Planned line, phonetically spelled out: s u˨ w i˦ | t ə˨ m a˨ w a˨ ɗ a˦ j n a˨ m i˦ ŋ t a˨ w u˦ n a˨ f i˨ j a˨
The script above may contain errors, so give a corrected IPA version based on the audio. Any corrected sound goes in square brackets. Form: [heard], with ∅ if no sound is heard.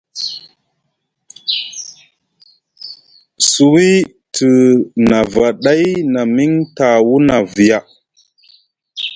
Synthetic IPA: s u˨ w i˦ | t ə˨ [n] a˨ [v] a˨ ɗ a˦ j n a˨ m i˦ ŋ t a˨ w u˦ n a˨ [v] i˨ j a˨